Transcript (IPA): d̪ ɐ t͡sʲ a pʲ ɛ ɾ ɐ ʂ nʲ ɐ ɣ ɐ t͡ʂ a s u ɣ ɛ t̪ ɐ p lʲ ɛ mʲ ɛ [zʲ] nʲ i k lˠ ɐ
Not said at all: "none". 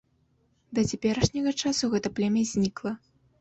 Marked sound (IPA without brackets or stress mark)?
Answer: zʲ